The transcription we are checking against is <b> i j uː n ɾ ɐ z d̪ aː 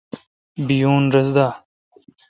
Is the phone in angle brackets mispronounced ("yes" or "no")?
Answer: no